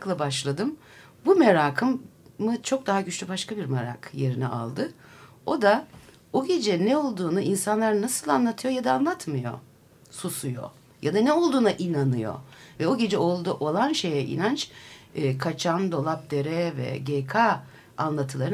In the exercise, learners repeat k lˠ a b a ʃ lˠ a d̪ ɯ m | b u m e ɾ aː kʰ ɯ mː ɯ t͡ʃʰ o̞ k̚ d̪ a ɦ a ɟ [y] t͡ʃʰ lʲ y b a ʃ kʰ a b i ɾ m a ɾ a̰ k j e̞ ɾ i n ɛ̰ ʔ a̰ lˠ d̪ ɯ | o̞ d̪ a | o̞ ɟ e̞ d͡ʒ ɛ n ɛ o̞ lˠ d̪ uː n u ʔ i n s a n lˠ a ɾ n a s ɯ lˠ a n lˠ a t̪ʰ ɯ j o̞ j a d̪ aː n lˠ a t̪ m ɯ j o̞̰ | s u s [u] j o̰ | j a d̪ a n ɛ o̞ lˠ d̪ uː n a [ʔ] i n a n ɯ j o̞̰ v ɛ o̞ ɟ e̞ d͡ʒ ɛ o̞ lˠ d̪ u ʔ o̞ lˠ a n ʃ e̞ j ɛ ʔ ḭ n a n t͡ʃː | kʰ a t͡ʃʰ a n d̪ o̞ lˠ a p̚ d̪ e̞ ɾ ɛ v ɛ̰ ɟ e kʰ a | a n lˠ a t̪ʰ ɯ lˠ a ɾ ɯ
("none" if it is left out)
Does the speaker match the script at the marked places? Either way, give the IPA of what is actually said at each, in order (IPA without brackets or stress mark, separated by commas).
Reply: y, u, ʔ